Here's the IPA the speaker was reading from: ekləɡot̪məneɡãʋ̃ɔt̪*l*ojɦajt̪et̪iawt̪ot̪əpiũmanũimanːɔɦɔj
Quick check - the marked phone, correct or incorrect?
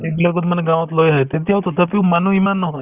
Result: correct